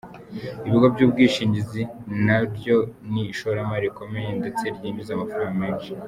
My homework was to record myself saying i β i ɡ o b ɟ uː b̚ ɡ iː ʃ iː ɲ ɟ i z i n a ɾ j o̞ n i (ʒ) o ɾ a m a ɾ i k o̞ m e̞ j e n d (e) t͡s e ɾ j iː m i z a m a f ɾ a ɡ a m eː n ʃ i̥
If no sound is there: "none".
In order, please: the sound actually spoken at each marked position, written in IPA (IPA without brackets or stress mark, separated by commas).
ʃ, e